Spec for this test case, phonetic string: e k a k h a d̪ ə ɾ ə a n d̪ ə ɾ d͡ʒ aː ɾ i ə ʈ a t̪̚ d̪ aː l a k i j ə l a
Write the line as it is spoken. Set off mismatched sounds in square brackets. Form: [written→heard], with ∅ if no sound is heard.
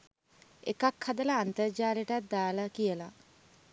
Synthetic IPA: e k a k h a d̪ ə [ɾ→l] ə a n [d̪→t̪] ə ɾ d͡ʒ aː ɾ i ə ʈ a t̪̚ d̪ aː l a k i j ə l a

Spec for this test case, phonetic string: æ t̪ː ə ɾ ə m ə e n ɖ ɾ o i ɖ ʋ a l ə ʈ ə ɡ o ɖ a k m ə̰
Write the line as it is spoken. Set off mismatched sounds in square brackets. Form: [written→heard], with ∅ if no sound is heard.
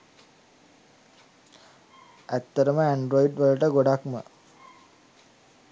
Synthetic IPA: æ t̪ː ə ɾ ə m ə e [n→ɳ] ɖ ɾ o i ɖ ʋ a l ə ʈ ə ɡ o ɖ a k m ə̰

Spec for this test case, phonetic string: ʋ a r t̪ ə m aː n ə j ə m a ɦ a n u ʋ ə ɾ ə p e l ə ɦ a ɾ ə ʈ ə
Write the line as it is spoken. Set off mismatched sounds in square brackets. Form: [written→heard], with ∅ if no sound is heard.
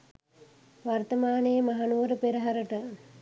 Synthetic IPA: ʋ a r t̪ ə m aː n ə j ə m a ɦ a n u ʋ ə ɾ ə p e [l→ɾ] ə ɦ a ɾ ə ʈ ə

